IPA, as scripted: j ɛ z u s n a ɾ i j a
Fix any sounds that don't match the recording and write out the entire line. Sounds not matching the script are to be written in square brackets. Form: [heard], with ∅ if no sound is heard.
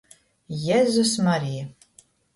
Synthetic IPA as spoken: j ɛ z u s [m] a ɾ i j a